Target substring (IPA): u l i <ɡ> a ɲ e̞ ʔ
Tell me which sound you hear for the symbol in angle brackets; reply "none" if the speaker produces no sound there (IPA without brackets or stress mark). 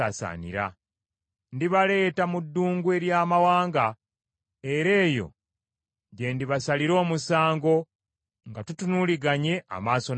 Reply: ɡ